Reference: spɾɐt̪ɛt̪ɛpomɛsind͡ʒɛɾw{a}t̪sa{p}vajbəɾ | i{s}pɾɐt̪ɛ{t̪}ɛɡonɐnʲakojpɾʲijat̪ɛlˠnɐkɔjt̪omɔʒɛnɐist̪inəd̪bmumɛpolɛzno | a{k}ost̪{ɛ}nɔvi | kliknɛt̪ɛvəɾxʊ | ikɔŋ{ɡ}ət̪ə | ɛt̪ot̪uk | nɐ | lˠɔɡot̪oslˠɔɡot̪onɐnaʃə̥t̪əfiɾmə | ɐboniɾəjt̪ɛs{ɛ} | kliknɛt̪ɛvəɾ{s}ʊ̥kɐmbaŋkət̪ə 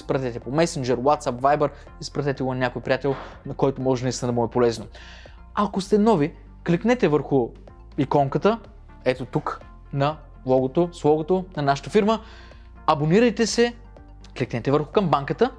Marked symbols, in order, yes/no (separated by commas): yes, yes, yes, yes, yes, yes, no, yes, no